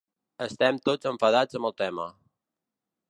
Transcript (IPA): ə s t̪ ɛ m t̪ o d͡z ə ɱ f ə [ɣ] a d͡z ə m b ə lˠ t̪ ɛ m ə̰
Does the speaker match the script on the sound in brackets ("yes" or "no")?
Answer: no